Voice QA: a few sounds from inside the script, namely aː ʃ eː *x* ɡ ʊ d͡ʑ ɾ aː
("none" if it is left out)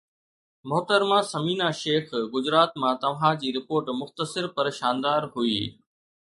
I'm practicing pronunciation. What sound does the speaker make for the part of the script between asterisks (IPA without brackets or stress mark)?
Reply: x